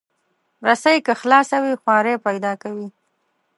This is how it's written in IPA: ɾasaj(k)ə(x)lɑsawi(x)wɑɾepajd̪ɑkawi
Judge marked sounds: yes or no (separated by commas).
yes, yes, yes